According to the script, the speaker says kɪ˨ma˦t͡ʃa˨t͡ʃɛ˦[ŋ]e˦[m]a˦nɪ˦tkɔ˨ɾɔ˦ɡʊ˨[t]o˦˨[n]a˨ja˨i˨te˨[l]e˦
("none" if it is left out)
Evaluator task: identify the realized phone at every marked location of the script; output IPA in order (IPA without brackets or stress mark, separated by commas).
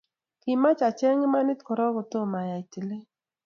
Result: ŋ, m, t, m, l